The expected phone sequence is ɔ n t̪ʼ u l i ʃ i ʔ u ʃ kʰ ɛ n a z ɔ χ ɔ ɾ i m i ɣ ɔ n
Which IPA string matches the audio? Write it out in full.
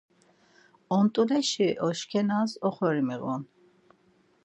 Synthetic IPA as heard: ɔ n t̪ʼ u l ɛ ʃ i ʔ ɔ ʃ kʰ ɛ n a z ɔ χ ɔ ɾ i m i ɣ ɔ n